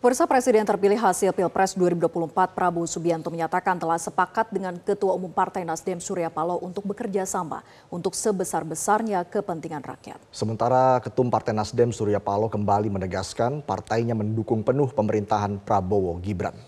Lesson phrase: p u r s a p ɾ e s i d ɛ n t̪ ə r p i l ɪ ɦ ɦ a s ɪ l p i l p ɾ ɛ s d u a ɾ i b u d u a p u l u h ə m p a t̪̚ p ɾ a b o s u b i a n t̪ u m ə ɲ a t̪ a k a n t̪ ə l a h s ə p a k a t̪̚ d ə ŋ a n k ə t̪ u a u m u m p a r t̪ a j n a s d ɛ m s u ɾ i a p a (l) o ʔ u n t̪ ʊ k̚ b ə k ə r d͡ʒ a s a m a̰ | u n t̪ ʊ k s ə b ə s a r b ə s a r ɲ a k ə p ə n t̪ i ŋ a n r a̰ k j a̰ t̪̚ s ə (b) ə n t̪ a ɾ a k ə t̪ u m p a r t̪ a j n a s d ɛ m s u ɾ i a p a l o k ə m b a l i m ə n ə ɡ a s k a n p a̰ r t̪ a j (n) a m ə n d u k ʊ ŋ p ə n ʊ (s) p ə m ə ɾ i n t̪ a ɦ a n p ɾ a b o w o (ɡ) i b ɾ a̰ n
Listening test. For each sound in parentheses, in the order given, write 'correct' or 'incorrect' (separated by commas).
correct, incorrect, incorrect, incorrect, correct